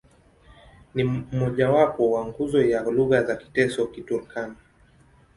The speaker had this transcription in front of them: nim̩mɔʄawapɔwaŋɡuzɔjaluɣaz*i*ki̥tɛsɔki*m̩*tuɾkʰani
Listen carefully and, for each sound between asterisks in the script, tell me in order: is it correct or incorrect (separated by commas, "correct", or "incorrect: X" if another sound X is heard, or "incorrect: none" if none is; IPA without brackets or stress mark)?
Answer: incorrect: a, incorrect: none